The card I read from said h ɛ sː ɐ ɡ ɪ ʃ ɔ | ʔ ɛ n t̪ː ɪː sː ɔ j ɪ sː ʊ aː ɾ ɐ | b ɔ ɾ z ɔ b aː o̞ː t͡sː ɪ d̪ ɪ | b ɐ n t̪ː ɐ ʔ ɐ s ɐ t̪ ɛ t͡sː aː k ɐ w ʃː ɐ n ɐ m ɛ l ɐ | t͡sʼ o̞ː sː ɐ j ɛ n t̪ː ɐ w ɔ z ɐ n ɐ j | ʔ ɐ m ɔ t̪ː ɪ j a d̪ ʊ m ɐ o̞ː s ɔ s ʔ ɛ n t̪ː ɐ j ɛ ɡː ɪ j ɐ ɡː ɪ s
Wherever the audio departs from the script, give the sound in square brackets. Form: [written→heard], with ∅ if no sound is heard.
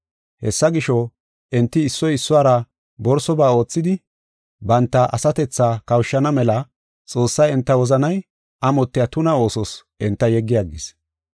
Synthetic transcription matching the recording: h ɛ sː ɐ ɡ ɪ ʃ ɔ | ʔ ɛ n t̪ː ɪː sː ɔ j ɪ sː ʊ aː ɾ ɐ | b ɔ ɾ [z→s] ɔ b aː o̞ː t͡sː ɪ d̪ ɪ | b ɐ n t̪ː ɐ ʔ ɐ s ɐ t̪ ɛ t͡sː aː k ɐ w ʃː ɐ n ɐ m ɛ l ɐ | t͡sʼ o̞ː sː ɐ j ɛ n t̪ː ɐ w ɔ z ɐ n ɐ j | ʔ ɐ m ɔ t̪ː ɪ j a [d̪→t̪] ʊ [m→n] ɐ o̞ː s ɔ s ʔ ɛ n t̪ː ɐ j ɛ ɡː ɪ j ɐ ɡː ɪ s